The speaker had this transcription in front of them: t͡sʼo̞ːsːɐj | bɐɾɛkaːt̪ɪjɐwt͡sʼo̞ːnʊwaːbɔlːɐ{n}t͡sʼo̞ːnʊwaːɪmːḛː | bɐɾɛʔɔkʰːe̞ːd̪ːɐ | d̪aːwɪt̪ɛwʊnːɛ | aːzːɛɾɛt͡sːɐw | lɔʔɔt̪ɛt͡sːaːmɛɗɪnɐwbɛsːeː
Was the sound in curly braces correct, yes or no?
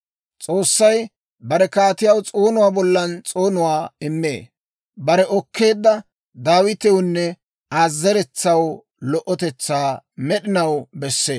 yes